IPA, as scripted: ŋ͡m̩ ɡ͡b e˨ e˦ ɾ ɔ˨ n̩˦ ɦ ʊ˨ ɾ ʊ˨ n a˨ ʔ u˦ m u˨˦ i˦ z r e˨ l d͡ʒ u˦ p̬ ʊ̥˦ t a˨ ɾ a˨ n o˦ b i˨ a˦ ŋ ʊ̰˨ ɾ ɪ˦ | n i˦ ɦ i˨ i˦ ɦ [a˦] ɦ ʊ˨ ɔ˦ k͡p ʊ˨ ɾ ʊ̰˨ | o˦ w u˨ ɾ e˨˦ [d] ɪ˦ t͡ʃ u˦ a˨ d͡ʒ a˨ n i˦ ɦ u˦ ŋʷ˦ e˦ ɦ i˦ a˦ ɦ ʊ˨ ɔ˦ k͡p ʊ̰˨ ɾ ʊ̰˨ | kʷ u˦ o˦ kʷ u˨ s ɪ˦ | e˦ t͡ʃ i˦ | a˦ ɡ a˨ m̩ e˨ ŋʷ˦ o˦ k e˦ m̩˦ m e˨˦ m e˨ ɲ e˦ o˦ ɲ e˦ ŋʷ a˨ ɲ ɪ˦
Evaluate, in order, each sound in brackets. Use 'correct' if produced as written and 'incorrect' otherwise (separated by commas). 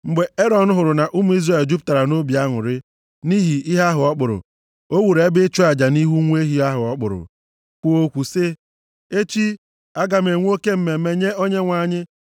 correct, incorrect